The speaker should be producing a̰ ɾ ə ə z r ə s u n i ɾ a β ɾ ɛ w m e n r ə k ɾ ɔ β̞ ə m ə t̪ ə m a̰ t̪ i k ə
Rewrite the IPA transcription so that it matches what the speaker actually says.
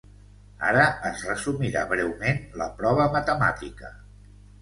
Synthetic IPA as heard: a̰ ɾ ə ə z r ə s u m i ɾ a β ɾ ɛ w m e n l ə p ɾ ɔ β̞ ə m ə t̪ ə m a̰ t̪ i k ə